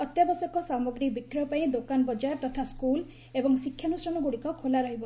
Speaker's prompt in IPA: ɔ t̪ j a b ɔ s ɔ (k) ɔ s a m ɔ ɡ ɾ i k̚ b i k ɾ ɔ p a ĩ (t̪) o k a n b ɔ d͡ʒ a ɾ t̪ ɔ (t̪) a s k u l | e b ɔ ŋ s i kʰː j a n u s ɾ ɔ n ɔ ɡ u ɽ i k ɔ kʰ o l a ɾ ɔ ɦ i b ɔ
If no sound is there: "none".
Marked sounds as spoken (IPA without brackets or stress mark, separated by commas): k, d̪, t̪ʰ